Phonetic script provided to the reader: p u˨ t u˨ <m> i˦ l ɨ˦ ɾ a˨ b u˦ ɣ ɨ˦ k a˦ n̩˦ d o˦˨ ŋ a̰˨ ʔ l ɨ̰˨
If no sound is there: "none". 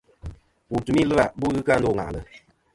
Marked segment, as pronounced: m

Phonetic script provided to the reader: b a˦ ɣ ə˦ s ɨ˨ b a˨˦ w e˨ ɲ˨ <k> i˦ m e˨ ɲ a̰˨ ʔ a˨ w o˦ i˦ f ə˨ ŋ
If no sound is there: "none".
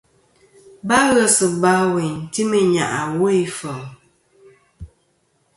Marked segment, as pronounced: t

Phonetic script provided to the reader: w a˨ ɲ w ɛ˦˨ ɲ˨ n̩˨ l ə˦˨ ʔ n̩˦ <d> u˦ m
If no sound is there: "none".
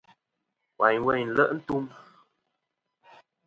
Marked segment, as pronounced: t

